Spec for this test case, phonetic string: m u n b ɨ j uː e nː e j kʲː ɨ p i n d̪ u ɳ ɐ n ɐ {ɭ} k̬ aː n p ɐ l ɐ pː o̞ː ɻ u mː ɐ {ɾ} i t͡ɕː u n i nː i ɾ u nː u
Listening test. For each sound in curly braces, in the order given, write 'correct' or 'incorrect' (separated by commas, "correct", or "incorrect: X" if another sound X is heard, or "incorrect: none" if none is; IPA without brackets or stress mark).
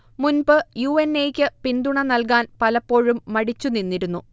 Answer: incorrect: l, incorrect: ɽ